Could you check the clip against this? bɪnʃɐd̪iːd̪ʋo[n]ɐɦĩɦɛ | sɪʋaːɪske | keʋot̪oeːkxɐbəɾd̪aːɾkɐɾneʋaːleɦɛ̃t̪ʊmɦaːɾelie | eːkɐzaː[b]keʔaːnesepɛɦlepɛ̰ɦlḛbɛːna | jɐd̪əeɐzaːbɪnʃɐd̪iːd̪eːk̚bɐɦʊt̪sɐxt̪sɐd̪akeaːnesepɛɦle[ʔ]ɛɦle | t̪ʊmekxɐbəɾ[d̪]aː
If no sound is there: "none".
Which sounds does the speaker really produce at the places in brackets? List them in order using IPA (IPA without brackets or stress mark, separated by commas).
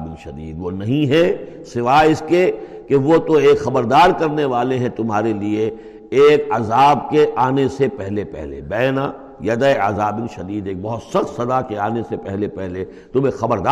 n, b, p, d̪